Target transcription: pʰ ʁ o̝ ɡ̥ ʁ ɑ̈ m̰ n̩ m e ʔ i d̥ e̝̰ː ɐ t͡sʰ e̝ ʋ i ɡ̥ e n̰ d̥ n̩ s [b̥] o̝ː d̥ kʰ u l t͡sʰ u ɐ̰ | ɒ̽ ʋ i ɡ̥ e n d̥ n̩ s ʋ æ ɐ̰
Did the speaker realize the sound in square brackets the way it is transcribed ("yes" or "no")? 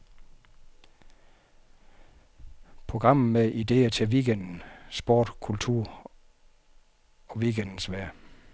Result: yes